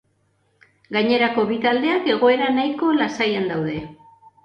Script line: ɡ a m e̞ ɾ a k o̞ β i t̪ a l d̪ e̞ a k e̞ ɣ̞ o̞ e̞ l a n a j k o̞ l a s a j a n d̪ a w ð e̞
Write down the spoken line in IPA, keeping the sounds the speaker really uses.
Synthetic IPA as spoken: ɡ a ɲ e̞ ɾ a k o̞ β i t̪ a l d̪ e̞ a k e̞ ɣ̞ o̞ e̞ ɾ a n a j k o̞ l a s a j a n d̪ a w ð e̞